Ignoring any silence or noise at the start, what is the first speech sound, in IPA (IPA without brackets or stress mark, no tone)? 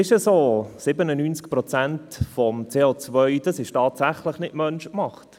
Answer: ɪ